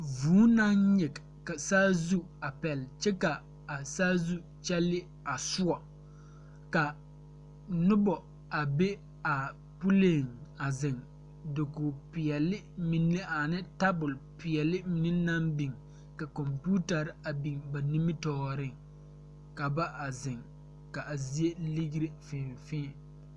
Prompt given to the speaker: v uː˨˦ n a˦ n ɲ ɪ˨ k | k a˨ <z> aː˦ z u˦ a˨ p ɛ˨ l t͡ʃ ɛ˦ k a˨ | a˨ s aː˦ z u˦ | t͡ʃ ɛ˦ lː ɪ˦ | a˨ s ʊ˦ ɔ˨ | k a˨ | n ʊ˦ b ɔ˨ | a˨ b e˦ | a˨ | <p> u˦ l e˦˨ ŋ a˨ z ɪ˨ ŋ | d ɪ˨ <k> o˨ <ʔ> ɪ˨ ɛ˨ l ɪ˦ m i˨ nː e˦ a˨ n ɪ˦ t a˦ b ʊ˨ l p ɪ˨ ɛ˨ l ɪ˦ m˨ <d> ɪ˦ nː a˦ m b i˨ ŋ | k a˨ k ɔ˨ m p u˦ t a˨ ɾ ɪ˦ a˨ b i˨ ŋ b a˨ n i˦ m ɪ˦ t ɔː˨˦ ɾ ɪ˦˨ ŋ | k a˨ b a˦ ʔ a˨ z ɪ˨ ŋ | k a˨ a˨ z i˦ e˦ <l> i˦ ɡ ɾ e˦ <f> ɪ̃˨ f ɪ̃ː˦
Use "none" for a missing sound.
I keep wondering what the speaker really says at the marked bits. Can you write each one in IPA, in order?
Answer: s, p, k, p, n, l, f

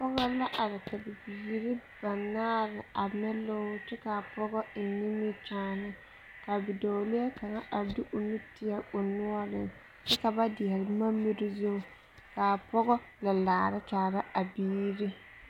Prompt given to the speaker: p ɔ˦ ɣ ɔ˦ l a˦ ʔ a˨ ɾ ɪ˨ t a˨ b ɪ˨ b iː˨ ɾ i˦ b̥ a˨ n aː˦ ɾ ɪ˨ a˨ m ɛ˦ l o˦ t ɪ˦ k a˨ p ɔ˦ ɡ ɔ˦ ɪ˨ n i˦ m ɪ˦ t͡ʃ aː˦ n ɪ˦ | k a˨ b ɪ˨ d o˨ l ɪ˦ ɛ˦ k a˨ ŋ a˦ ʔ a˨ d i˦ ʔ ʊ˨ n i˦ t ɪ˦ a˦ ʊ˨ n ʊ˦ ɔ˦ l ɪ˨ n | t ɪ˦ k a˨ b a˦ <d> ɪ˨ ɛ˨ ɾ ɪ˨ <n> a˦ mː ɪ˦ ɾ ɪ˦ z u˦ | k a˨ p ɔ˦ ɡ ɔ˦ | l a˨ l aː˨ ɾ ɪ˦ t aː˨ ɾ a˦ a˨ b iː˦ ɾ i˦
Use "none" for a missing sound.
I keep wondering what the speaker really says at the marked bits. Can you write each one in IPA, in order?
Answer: d, m

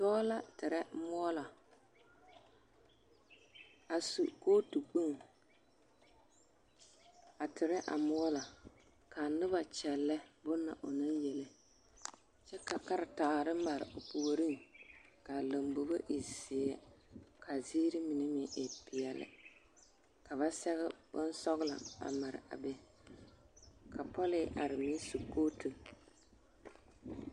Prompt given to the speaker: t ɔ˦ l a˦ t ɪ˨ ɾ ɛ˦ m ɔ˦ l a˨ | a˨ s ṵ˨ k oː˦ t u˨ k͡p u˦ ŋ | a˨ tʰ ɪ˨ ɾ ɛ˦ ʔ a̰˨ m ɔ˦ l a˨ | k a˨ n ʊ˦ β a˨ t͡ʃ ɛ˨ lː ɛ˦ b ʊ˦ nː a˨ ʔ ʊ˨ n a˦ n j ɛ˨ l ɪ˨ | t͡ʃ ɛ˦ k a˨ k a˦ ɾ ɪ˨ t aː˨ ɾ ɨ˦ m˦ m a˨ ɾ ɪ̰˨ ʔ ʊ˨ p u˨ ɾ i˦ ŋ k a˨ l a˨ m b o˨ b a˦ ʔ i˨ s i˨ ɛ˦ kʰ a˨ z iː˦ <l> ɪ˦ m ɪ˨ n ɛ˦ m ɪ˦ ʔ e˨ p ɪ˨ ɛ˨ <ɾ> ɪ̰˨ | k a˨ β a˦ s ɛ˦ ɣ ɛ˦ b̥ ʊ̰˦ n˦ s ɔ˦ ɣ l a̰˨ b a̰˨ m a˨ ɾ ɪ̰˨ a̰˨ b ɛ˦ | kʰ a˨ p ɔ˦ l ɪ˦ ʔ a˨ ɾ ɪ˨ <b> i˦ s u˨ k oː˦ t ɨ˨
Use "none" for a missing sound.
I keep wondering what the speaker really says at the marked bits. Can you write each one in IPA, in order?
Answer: ɾ, l, m

